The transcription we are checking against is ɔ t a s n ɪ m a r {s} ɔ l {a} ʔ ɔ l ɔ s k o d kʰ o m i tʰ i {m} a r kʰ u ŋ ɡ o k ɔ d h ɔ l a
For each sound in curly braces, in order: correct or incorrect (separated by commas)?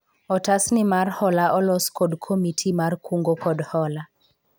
incorrect, correct, correct